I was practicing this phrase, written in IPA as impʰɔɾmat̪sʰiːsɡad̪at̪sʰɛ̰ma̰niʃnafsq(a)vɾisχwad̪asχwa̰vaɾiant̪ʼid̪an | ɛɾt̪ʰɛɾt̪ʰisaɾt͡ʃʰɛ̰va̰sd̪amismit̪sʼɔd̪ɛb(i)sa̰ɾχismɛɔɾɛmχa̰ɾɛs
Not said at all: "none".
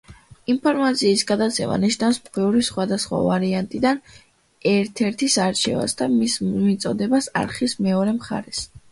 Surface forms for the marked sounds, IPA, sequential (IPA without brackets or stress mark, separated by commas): ɛ, a